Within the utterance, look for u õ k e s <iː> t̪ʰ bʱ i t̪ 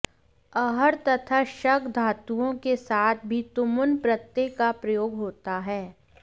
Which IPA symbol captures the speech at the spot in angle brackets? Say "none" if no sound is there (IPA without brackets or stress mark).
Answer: aː